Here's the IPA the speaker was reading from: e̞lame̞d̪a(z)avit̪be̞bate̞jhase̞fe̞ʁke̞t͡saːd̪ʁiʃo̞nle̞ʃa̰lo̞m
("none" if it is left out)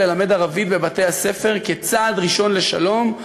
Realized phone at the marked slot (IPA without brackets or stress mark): ʁ